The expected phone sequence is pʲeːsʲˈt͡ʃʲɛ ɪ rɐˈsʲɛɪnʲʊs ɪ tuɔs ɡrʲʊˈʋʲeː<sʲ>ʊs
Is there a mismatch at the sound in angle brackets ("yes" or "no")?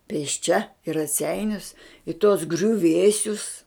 no